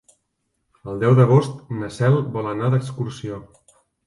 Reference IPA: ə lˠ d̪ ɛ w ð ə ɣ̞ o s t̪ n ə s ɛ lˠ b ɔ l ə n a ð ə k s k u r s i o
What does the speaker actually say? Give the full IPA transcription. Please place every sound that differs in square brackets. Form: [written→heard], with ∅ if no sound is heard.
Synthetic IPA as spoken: ə lˠ d̪ ɛ w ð ə ɣ̞ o s t̪ n ə s ɛ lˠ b ɔ l ə n a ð ə k s k u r s i o

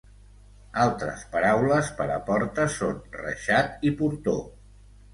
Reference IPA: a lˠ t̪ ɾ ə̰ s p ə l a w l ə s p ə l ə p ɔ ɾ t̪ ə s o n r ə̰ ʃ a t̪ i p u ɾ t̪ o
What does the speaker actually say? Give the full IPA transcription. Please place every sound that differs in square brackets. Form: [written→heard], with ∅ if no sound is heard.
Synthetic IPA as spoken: a lˠ t̪ ɾ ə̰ s p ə [l→ɾ] a w l ə s p ə [l→ɾ] ə p ɔ ɾ t̪ ə s o n r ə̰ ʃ a t̪ i p u ɾ t̪ o

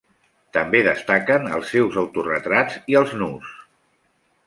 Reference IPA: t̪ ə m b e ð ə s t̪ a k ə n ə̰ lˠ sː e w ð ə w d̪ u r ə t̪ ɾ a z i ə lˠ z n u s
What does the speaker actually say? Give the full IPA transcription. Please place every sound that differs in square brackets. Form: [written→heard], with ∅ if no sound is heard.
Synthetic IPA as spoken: t̪ ə m b e ð ə s t̪ a k ə n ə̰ lˠ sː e w [ð→z] ə w [d̪→t̪] u r ə t̪ ɾ a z i ə lˠ z n u s

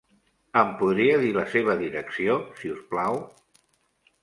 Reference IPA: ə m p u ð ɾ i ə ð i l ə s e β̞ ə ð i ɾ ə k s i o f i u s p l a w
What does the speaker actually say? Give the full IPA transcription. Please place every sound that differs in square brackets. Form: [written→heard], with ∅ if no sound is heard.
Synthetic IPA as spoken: ə m p u ð ɾ i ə ð i l ə s e β̞ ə ð i ɾ ə k s i o [f→s] i u s p l a w

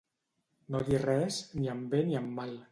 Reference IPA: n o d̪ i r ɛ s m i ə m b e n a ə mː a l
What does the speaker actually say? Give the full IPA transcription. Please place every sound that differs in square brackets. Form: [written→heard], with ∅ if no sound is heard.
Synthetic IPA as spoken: n o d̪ i r ɛ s [m→n] i ə m b e n [a→i] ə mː a l

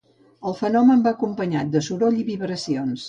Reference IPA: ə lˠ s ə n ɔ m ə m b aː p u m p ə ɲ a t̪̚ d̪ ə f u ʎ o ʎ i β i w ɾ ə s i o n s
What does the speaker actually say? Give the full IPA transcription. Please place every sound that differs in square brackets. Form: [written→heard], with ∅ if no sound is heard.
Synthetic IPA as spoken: ə lˠ [s→f] ə n ɔ m ə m b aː [p→k] u m p ə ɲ a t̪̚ d̪ ə [f→s] u [ʎ→ɾ] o ʎ i β i [w→β] ɾ ə s i o n s

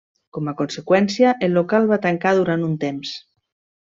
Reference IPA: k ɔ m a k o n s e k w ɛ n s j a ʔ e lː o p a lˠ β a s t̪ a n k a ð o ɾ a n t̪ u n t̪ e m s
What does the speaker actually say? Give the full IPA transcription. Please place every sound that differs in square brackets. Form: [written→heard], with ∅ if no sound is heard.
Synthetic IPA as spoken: k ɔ m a k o n s e k w ɛ n s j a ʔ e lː o [p→k] a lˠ β a [s→∅] t̪ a [n→ŋ] k a ð [o→u] ɾ a n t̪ u n t̪ e m s

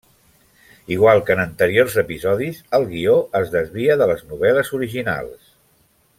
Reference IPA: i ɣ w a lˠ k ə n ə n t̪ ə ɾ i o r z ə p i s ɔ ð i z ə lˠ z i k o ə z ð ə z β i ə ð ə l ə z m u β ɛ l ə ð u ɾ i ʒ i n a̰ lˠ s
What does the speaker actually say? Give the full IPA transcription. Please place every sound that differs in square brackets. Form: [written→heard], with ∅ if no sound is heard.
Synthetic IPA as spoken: i ɣ w a lˠ k ə n ə n t̪ ə ɾ i o r z ə p i [s→z] ɔ ð i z ə lˠ [z→ɣ] i [k→∅] o ə z ð ə z β i ə ð ə l ə z [m→n] u β ɛ l ə [ð→z] u ɾ i ʒ i n a̰ lˠ s

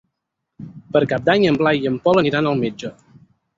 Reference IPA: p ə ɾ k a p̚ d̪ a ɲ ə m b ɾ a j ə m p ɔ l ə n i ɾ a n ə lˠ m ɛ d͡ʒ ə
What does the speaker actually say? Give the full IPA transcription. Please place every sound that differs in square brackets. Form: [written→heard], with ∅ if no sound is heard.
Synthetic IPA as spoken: p ə ɾ k a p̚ d̪ a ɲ ə m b [ɾ→l] a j ə m p ɔ l ə n i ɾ a n ə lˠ m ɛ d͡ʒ ə

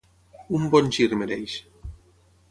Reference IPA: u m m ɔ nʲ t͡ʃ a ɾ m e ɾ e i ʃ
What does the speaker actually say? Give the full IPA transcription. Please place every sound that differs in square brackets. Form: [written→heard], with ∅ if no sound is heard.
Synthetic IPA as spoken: u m [m→b] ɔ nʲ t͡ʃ [a→i] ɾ m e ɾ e [i→j] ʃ

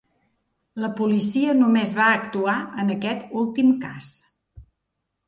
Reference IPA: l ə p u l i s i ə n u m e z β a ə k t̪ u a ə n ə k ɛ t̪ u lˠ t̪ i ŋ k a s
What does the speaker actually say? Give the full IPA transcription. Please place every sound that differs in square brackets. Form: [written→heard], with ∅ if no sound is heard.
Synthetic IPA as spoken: l ə p u l i s i ə n u m e z β a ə k t̪ u a ə n ə k ɛ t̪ u lˠ t̪ i [ŋ→m] k a s

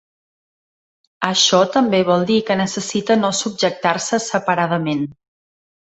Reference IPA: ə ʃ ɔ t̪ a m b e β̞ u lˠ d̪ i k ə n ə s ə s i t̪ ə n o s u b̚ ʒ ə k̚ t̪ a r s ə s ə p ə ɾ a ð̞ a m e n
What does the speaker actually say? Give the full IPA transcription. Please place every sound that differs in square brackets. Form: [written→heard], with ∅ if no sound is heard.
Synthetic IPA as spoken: ə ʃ ɔ t̪ [a→ə] m b e β̞ [u→ɔ] lˠ d̪ i k ə n ə s ə s i t̪ ə n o s u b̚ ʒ ə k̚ t̪ a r s ə s ə p ə ɾ a ð̞ [a→ə] m e n

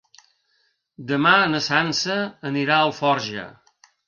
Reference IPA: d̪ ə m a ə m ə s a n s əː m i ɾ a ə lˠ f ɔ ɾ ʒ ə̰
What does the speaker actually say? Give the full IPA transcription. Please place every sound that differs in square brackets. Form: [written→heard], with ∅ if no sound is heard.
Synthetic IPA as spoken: d̪ ə m a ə [m→n] ə s a n s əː [m→n] i ɾ a ə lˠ f ɔ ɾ ʒ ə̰

